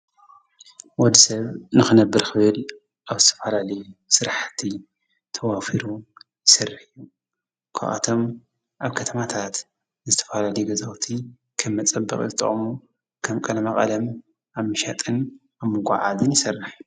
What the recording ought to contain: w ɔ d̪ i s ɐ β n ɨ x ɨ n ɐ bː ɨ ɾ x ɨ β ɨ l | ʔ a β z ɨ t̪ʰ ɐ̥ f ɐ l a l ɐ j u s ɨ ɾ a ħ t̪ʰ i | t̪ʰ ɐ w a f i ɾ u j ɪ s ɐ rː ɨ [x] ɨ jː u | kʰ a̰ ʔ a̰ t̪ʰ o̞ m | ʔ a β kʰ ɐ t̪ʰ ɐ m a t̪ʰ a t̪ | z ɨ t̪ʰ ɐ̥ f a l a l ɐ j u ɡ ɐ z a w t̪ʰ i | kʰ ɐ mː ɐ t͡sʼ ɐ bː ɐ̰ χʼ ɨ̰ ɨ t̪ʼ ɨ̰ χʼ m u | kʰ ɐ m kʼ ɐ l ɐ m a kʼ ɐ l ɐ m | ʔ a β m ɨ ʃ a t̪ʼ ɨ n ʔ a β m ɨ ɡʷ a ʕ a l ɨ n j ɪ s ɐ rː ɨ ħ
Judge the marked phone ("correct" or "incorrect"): incorrect